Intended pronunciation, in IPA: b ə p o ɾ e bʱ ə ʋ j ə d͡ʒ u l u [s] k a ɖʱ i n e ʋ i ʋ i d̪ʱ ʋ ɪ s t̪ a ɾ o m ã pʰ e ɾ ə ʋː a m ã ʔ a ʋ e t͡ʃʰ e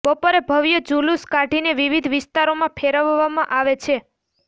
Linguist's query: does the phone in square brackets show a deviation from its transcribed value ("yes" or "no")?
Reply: no